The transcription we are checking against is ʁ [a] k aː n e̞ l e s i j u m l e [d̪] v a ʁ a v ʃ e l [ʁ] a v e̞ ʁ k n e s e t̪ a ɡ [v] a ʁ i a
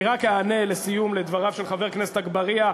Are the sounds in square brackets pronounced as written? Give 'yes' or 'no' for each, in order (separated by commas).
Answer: yes, yes, no, no